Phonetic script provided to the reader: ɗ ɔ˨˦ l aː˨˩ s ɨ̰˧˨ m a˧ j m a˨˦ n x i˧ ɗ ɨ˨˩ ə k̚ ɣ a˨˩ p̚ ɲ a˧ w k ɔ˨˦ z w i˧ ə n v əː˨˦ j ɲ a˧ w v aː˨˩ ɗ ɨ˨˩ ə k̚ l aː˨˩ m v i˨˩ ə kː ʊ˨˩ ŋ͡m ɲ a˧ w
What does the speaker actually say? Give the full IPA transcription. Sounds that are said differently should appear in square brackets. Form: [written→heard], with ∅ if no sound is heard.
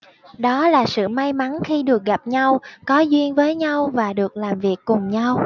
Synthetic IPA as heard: ɗ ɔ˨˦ l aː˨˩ s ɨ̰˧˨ m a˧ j m a˨˦ n x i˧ ɗ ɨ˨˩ ə k̚ ɣ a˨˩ p̚ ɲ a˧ w k ɔ˨˦ z w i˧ ə n v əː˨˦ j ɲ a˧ w v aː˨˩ ɗ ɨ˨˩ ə k̚ l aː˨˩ m v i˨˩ ə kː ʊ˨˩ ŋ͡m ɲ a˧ w